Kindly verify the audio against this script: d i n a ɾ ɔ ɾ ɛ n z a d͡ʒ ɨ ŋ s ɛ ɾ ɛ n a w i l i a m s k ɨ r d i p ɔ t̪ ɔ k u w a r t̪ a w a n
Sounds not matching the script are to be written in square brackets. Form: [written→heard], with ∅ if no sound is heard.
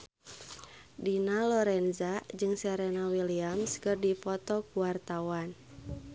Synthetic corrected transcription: d i n a [ɾ→l] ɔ ɾ ɛ n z a d͡ʒ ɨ ŋ s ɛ ɾ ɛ n a w i l i a m s k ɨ r d i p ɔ t̪ ɔ k u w a r t̪ a w a n